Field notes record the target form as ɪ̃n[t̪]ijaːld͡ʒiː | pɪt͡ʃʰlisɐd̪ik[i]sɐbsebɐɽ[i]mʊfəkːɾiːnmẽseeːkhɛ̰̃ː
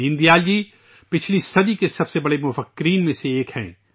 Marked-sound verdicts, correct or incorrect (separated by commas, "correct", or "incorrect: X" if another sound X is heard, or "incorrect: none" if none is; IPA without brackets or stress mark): incorrect: d̪, incorrect: e, incorrect: e